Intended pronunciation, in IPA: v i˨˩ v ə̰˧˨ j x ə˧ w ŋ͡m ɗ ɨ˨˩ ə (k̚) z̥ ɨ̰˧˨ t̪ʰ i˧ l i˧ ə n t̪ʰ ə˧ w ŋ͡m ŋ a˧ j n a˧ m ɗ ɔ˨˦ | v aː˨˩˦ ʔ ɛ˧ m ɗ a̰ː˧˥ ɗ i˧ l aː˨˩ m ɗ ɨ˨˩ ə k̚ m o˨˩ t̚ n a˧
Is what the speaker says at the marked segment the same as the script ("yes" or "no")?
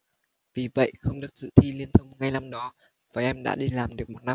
yes